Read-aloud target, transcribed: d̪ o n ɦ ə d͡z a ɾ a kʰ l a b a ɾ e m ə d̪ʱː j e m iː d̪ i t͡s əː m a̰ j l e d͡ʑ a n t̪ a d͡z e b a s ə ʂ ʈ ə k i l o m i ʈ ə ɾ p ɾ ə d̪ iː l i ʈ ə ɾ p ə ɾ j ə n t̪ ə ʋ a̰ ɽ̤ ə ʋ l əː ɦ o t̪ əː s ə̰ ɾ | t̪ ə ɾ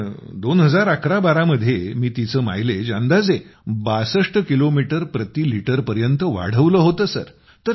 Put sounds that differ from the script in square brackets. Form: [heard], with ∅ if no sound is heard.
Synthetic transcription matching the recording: d̪ o n ɦ ə d͡z a ɾ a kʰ [ɾ] a b a ɾ [a] m ə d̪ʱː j e m iː [t̪] i t͡s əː m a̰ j l e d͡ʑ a n [d̪] a d͡z e b a s ə ʂ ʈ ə k i l o m i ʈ ə ɾ p ɾ ə [t̪] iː l i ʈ ə ɾ p ə ɾ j ə n t̪ ə ʋ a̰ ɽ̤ ə ʋ l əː ɦ o t̪ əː s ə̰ ɾ | t̪ ə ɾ